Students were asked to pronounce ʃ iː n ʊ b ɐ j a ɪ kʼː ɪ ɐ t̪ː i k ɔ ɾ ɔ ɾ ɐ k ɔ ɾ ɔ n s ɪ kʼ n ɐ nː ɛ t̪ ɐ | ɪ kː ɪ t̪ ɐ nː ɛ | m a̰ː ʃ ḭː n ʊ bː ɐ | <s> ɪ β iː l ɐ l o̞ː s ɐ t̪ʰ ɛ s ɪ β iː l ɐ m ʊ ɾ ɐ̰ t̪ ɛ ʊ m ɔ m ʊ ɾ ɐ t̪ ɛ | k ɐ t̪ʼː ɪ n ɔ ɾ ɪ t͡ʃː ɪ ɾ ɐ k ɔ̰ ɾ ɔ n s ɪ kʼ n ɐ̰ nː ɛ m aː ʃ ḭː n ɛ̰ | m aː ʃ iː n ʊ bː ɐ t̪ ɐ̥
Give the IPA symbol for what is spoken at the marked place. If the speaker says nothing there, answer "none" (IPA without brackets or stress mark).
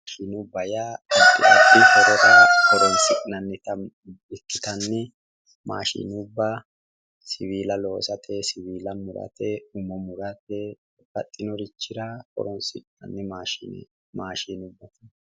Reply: s